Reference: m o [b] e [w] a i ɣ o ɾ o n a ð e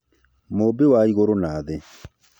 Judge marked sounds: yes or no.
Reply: yes, yes

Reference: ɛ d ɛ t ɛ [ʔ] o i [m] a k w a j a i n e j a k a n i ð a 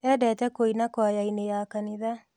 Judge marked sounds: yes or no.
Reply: no, no

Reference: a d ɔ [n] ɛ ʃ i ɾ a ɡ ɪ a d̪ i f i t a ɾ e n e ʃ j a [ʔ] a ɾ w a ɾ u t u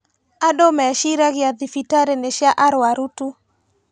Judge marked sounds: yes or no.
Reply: no, yes

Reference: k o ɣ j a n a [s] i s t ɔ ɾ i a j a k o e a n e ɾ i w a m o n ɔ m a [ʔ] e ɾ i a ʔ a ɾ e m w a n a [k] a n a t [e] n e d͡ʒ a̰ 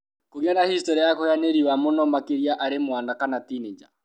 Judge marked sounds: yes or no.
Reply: no, no, yes, no

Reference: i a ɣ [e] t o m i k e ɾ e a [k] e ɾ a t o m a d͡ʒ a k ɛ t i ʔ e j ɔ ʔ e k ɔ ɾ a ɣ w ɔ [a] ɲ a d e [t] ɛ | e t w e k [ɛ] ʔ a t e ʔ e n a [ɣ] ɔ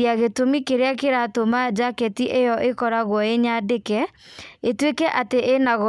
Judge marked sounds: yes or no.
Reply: yes, yes, no, no, yes, yes

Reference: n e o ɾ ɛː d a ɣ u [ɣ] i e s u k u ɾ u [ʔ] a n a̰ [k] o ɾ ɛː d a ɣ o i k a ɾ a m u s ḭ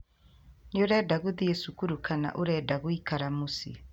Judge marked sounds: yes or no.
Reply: no, no, no

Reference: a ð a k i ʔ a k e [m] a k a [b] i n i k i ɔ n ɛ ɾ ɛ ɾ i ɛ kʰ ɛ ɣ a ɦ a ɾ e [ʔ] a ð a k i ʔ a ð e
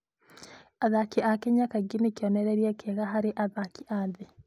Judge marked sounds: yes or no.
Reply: no, no, yes

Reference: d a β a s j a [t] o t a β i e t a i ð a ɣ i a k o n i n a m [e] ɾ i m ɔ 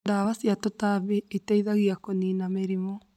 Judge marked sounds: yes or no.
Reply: yes, yes

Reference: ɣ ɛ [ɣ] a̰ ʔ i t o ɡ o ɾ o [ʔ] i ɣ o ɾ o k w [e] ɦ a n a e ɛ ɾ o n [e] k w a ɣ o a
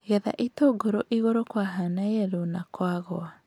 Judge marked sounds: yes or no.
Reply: no, yes, no, no

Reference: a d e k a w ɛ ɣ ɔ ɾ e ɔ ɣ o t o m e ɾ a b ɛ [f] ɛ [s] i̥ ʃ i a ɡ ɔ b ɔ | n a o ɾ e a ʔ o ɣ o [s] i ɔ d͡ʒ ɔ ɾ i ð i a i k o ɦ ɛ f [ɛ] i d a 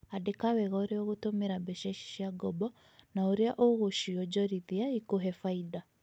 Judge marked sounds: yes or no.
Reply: no, no, no, no

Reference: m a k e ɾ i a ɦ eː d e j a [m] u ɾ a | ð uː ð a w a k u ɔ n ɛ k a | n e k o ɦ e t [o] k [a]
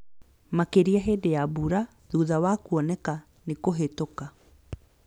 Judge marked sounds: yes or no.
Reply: no, yes, yes

